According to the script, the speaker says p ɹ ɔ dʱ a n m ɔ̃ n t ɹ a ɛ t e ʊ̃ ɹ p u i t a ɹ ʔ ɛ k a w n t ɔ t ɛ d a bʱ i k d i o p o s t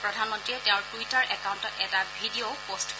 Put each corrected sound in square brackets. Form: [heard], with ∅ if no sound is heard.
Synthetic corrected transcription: p ɹ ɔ dʱ a n m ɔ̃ n t ɹ [i] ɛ t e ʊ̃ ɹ [t] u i t a ɹ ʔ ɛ k a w n t ɔ t ɛ [t] a bʱ i [∅] d i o p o s t